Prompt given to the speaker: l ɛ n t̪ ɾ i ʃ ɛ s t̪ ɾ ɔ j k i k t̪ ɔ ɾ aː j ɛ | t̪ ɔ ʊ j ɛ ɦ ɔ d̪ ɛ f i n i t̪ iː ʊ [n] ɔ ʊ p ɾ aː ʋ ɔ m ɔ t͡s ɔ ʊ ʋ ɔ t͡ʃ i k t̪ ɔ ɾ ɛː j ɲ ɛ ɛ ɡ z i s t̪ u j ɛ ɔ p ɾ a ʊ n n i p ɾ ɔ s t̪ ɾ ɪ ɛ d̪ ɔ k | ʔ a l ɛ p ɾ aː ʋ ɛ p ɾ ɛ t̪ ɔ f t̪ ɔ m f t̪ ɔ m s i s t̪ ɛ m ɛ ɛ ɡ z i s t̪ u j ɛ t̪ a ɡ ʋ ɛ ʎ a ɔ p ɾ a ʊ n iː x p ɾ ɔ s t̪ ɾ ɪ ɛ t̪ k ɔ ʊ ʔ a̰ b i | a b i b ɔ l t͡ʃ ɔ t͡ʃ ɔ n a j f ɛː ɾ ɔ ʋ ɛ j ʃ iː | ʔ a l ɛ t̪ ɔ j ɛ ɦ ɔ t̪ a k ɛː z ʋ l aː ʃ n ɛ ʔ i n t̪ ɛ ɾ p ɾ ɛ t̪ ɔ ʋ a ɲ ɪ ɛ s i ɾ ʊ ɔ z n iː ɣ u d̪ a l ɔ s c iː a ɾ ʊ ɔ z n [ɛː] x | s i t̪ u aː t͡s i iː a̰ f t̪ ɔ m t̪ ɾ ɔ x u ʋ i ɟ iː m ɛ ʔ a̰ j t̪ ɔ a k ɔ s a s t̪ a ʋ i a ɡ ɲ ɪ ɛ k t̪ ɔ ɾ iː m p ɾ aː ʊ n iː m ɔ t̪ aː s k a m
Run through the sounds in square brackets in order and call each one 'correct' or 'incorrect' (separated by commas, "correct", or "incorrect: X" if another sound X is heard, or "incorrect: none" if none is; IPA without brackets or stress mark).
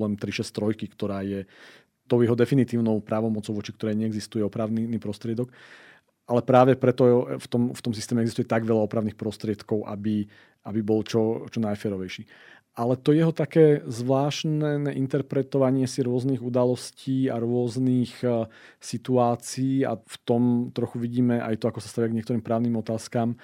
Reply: correct, incorrect: iː